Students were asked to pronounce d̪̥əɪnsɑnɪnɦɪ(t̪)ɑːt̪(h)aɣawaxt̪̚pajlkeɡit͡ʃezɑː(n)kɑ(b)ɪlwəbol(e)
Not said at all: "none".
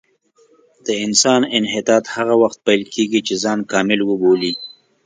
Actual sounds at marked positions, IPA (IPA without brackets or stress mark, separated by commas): t̪, h, n, m, i